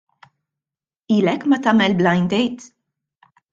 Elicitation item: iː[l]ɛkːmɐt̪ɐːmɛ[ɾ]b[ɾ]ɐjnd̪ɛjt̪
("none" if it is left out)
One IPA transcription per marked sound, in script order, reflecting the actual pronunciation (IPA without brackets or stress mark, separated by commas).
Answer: l, l, l